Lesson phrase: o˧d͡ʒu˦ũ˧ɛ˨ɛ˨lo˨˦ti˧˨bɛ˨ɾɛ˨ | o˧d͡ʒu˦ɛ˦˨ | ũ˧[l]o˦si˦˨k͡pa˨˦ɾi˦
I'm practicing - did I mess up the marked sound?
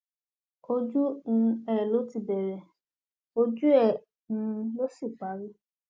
no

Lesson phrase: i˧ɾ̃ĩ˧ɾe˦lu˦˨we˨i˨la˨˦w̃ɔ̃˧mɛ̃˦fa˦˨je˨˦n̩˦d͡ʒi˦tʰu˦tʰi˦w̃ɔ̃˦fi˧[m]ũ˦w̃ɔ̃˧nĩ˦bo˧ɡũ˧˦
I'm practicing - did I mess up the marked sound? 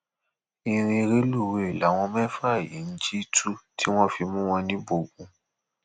no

